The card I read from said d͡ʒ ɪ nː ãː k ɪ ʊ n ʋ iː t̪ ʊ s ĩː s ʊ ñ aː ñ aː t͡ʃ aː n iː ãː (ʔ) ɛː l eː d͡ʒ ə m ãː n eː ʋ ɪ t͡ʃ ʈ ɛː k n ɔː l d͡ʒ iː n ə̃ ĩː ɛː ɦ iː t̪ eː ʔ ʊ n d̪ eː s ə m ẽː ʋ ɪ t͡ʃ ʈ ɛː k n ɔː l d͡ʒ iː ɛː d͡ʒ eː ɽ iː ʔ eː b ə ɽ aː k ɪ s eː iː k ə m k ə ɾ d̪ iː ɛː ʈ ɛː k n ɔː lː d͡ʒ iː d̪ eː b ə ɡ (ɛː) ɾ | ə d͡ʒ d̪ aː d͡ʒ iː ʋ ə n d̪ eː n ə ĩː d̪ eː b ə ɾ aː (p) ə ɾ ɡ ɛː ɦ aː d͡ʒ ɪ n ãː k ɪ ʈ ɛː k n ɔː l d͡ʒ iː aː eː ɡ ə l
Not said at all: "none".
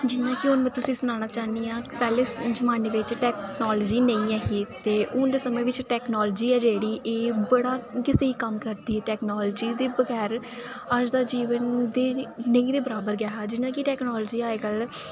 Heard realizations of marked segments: p, ɛː, b

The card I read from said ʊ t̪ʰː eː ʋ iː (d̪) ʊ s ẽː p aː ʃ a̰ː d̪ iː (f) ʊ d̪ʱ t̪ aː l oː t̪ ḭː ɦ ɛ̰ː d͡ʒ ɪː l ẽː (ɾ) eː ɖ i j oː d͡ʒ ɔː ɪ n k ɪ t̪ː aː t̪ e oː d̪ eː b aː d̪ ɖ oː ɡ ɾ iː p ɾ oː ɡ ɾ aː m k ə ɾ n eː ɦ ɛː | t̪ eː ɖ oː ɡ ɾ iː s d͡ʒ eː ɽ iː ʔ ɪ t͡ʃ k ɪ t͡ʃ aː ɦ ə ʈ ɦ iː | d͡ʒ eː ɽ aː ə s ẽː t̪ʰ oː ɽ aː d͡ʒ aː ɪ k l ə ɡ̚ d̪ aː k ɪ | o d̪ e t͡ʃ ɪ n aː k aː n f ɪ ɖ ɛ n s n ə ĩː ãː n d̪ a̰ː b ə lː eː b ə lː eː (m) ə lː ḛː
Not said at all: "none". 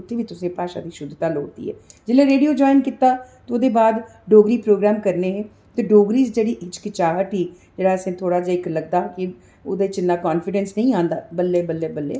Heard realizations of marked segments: t̪, ʃ, ɾ, b

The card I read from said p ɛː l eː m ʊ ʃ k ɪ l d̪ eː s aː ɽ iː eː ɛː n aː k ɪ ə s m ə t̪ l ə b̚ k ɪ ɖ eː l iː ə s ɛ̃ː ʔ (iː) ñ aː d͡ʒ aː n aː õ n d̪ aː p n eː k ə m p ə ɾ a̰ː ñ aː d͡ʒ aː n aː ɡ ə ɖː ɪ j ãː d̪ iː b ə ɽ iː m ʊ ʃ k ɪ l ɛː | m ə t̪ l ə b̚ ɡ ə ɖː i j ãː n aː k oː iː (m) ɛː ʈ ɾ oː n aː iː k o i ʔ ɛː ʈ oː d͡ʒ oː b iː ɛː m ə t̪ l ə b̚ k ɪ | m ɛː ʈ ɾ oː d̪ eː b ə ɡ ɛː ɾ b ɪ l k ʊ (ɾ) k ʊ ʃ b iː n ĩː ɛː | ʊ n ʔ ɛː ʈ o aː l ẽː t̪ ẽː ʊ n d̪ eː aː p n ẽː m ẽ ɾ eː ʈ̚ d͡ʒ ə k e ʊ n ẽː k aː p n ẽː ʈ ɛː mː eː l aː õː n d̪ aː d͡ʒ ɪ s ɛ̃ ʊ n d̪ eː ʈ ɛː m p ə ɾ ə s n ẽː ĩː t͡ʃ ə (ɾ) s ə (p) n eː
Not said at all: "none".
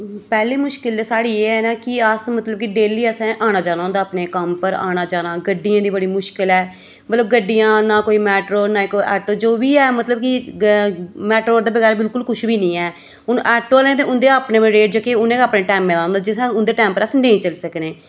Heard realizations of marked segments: aː, m, l, l, k

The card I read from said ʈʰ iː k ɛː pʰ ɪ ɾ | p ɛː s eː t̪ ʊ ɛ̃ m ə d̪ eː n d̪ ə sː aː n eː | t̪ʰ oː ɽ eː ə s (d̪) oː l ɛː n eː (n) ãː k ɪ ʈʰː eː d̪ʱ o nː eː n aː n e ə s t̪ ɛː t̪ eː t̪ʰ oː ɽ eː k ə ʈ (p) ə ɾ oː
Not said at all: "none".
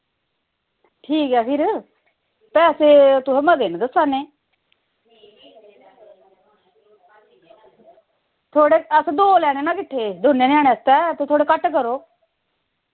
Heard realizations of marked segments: d̪, n, k

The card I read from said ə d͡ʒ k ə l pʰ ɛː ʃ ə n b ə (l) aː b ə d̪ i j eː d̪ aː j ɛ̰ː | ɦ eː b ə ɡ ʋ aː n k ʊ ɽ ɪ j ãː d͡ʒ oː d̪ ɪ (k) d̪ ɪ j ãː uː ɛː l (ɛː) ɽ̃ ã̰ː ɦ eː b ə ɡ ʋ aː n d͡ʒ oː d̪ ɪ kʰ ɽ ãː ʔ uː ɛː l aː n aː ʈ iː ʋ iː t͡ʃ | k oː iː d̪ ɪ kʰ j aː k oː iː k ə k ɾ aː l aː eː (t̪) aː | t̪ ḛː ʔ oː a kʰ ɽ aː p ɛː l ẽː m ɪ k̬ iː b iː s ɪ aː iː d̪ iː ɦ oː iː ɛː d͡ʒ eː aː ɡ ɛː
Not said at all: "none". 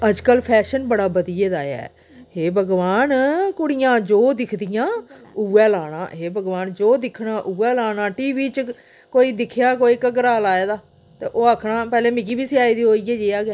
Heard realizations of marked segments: ɽ, kʰ, aː, d̪

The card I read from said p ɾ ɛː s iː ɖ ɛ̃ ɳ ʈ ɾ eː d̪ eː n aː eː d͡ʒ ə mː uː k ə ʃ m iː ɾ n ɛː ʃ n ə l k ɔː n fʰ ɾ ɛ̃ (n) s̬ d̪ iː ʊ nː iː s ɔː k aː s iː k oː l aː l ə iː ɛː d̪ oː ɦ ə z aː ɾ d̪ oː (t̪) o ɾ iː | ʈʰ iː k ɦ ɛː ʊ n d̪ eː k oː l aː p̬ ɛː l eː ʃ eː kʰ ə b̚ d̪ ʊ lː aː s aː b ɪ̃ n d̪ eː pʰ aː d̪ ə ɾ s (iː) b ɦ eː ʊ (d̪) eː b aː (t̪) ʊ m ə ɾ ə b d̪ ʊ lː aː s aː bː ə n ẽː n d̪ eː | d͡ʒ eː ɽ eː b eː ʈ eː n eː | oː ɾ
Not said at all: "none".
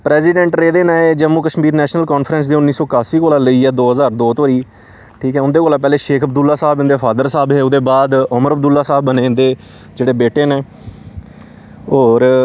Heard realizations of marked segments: n, t̪, aː, d̪, d̪

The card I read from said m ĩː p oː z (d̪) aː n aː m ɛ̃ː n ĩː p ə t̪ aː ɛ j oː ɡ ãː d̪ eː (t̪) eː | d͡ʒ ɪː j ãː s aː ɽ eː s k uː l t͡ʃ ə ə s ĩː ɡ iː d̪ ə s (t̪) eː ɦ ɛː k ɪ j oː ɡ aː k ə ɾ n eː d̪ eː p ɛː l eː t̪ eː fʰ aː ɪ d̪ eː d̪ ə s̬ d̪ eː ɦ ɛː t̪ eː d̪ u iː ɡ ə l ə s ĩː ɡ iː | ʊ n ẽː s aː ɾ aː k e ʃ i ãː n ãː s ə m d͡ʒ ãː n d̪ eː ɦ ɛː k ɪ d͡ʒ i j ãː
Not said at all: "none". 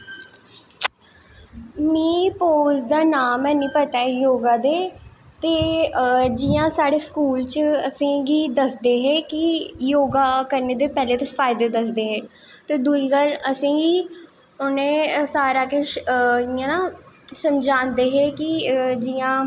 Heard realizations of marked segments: d̪, t̪, d̪

